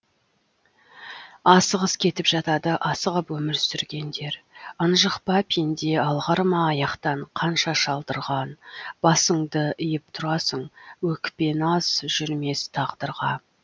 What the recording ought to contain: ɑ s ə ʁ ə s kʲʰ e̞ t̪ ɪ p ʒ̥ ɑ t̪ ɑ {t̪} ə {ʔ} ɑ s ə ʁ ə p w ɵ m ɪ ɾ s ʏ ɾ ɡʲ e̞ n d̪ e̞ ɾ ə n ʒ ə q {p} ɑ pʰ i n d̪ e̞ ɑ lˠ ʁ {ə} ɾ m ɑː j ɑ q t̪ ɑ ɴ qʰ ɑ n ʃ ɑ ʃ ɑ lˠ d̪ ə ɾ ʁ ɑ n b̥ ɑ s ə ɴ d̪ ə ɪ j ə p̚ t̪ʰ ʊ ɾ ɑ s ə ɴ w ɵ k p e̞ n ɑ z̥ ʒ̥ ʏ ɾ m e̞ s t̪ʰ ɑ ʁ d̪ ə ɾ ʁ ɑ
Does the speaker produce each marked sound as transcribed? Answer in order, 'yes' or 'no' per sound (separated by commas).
no, yes, yes, no